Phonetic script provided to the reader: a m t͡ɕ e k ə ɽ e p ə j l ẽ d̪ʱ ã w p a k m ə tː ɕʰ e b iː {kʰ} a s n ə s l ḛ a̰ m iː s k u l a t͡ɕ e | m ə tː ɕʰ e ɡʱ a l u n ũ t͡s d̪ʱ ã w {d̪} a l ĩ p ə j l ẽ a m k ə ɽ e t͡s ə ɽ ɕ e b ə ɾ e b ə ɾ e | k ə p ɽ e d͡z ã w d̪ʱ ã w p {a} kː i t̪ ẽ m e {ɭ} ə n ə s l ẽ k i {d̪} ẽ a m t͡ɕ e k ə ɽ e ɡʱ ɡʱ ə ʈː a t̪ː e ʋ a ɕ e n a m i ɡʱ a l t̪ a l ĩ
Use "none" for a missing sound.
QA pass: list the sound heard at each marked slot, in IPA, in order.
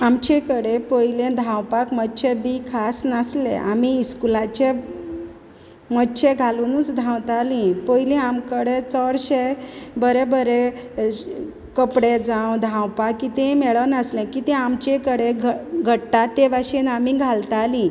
kʰ, t̪, a, ɭ, t̪

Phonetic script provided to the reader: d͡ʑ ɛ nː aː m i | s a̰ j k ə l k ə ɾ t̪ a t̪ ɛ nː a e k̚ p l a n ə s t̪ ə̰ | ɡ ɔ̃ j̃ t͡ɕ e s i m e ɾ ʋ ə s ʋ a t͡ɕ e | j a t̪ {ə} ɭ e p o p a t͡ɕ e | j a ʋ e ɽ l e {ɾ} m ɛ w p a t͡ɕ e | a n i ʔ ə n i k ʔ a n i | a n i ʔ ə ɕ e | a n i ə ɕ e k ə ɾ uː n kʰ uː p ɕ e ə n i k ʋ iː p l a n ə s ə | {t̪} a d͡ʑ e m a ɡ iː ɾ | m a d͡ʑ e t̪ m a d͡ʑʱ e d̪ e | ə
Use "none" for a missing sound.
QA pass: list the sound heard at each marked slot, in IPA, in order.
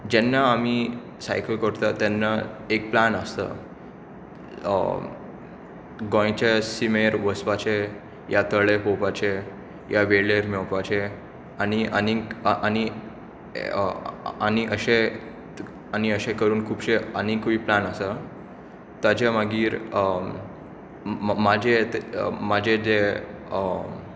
ə, ɾ, t̪

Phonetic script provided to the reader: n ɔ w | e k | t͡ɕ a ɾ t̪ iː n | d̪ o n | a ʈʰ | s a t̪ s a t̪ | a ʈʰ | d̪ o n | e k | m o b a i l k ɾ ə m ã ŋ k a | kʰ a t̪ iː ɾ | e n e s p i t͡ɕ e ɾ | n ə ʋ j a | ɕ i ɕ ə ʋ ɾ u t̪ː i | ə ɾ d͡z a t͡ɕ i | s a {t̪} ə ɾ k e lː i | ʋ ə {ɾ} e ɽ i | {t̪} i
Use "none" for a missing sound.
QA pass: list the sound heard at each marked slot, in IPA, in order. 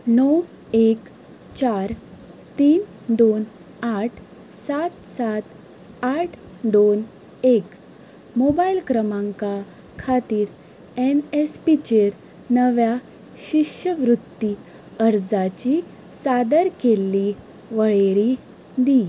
d̪, ɭ, d̪

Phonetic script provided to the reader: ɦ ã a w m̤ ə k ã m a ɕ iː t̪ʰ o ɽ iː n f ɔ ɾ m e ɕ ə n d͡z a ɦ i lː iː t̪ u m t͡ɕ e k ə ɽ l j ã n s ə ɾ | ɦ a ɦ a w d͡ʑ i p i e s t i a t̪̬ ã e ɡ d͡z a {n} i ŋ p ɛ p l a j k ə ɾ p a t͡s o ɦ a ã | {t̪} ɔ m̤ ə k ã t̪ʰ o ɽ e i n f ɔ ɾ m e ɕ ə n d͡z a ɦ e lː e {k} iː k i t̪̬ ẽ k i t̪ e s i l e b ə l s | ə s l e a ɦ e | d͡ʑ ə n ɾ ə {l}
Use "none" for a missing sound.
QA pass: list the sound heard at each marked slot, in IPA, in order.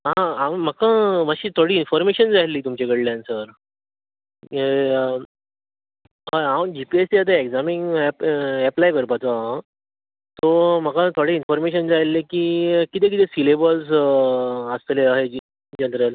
m, t̪, k, l

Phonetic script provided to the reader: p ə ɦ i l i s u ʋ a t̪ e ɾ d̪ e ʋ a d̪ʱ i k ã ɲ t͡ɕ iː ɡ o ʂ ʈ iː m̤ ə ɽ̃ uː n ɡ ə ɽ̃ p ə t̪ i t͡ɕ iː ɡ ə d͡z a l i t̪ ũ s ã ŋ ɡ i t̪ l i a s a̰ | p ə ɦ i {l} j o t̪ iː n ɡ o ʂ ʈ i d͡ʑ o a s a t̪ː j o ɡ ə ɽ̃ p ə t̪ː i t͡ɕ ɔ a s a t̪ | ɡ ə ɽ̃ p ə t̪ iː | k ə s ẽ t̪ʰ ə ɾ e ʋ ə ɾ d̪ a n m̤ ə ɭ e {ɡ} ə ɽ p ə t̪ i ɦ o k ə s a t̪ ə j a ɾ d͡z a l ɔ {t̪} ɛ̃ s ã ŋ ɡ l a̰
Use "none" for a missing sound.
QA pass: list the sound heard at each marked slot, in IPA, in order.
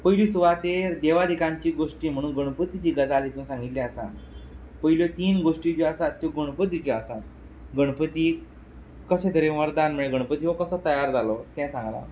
l, ɡ, t̪

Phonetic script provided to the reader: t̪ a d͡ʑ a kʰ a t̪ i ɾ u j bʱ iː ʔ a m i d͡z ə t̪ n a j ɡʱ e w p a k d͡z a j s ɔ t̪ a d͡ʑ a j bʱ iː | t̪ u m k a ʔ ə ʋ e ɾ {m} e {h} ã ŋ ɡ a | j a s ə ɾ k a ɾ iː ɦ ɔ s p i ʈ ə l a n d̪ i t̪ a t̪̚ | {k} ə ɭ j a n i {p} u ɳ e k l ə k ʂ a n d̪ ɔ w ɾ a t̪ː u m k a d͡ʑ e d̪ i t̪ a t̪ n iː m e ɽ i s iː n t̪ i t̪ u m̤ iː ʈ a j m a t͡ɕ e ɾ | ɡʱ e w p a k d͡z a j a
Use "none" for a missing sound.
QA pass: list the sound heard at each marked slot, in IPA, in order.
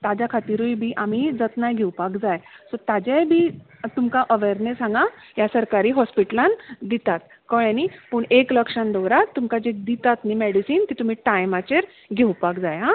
n, s, k, p

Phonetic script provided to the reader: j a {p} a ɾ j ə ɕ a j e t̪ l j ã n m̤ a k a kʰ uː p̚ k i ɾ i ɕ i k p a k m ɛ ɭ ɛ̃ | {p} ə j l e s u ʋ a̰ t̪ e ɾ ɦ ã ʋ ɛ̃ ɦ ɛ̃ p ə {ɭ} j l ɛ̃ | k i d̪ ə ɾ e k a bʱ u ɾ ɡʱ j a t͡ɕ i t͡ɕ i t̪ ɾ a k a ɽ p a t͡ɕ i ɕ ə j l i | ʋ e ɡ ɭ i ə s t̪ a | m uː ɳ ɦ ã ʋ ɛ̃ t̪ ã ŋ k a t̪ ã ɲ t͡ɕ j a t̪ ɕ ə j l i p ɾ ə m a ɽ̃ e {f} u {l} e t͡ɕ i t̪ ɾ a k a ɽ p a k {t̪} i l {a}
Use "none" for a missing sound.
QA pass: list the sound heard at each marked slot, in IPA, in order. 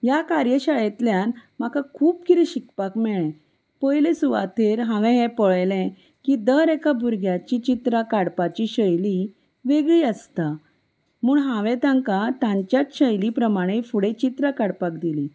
k, p, ɭ, f, ɽ, d̪, i

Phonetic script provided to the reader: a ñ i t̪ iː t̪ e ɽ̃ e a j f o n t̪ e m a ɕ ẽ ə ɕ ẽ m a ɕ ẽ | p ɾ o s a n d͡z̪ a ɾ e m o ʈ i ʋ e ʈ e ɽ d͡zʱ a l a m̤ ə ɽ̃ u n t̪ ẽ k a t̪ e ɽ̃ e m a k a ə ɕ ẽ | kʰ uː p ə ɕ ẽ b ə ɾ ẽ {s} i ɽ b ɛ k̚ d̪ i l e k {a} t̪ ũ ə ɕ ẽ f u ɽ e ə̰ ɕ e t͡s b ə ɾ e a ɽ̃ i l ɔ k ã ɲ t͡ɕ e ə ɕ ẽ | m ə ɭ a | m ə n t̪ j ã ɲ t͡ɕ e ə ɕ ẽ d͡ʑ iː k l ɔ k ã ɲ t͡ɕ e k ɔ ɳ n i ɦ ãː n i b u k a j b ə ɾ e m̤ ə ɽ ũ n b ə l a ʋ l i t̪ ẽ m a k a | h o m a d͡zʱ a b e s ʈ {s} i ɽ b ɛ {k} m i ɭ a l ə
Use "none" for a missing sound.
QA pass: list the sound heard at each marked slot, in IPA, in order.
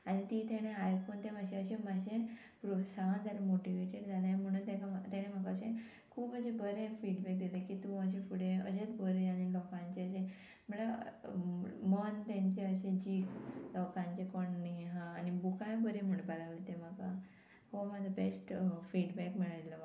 f, i, f, k

